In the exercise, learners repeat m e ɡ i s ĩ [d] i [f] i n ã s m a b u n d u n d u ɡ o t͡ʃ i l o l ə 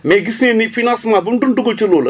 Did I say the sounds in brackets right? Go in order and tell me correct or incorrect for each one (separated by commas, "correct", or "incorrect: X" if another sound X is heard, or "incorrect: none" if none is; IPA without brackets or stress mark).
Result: incorrect: n, correct